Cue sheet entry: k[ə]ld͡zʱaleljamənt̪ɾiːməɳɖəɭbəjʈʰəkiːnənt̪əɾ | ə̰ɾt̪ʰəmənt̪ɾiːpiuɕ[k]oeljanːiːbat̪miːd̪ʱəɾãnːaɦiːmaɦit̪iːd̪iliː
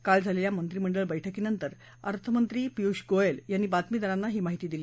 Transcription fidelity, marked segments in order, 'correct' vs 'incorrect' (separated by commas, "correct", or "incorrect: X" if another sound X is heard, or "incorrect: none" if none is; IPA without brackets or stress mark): incorrect: a, incorrect: ɡ